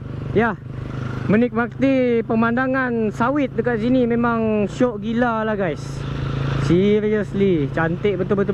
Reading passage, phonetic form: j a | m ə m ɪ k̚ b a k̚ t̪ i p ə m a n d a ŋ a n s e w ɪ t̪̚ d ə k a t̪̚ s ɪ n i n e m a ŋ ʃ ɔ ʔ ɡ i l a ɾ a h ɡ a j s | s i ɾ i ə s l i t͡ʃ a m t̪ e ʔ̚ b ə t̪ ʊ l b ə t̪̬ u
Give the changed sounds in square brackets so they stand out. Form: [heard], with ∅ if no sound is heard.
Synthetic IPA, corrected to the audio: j a | m ə [n] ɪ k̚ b a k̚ t̪ i p ə m a n d a ŋ a n s [a] w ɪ t̪̚ d ə k a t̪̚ s [i] n i [m] e m a ŋ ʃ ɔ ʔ ɡ i l a [l] a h ɡ a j s | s i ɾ i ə s l i t͡ʃ a [n] t̪ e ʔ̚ b ə t̪ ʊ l b ə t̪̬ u